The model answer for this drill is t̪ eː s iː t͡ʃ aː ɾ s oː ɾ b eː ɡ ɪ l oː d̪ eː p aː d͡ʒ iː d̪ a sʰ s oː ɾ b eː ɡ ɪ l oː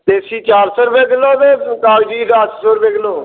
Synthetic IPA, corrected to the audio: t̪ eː s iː t͡ʃ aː ɾ s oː ɾ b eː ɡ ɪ l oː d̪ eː k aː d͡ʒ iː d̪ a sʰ s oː ɾ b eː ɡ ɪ l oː